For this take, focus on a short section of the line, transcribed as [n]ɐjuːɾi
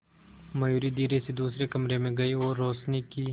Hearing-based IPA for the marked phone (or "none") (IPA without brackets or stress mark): m